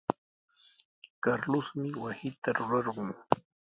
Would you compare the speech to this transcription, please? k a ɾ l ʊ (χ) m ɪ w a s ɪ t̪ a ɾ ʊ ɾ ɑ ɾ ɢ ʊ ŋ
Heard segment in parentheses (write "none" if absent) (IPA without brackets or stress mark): s